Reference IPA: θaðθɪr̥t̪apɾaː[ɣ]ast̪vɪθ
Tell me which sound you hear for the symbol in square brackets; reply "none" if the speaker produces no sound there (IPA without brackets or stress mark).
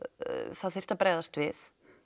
ð